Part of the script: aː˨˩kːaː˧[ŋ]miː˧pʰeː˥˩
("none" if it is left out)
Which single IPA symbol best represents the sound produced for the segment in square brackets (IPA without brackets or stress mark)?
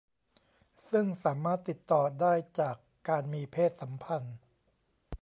n